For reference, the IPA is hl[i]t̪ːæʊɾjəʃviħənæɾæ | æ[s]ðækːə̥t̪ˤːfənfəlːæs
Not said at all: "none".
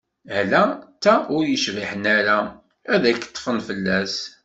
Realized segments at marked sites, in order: æ, none

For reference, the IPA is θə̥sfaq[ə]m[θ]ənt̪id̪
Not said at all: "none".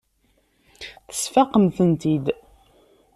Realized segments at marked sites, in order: ə, θ

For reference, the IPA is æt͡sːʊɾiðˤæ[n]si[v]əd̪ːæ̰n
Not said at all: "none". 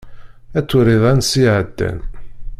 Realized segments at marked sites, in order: n, ʕ

